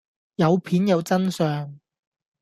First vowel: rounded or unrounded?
unrounded